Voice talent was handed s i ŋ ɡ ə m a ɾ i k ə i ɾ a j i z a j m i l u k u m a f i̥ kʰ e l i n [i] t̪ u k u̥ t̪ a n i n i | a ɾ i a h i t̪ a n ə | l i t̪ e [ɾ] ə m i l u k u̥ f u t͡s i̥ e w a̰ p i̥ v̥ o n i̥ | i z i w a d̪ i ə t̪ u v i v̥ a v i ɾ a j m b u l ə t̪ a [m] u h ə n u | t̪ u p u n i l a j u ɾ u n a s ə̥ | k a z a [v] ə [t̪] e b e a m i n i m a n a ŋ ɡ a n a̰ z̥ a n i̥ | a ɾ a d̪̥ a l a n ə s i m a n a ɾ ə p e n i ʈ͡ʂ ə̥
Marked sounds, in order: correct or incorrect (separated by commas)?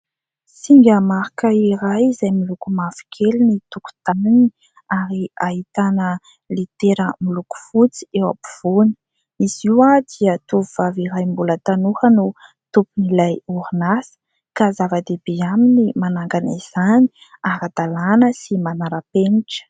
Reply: correct, correct, incorrect, correct, incorrect